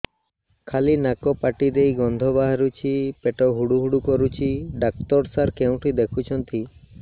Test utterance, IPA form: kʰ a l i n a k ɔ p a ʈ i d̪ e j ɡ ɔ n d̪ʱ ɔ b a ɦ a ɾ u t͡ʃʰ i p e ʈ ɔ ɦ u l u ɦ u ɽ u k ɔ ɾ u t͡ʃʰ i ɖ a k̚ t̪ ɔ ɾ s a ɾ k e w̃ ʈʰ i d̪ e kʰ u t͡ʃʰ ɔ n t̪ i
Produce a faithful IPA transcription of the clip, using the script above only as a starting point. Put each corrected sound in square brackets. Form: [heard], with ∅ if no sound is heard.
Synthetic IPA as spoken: kʰ a l i n a k ɔ p a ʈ i d̪ e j ɡ ɔ n d̪ʱ ɔ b a ɦ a ɾ u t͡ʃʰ i p e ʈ ɔ ɦ u [ɽ] u ɦ u ɽ u k ɔ ɾ u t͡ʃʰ i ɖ a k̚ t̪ ɔ ɾ s a ɾ k e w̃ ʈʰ i d̪ e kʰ u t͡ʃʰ ɔ n t̪ i